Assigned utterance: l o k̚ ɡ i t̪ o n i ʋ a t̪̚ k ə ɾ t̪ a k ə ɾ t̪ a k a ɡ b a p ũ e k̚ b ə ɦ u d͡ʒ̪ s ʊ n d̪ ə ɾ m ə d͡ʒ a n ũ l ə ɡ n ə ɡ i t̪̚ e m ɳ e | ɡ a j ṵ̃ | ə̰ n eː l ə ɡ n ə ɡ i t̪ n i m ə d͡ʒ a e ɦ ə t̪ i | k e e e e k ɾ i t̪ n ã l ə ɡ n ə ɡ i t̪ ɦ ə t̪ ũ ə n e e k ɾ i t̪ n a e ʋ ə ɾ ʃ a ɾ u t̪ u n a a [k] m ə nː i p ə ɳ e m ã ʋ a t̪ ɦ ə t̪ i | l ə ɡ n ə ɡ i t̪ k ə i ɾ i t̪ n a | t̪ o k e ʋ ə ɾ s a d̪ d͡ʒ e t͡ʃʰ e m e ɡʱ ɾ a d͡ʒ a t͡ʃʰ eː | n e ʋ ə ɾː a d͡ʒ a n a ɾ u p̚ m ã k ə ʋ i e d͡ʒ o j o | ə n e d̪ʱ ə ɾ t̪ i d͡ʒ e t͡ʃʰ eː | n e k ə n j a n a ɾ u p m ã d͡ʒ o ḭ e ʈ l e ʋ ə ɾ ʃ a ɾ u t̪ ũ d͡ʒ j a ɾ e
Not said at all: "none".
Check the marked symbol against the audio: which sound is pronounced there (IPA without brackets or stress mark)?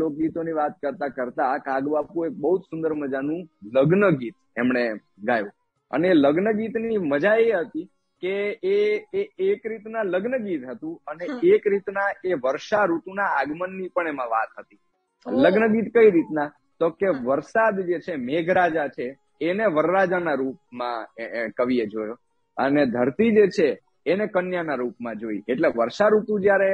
ɡ